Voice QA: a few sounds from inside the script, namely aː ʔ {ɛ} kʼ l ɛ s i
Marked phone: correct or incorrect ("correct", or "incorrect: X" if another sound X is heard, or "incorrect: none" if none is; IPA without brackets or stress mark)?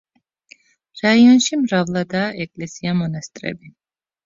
correct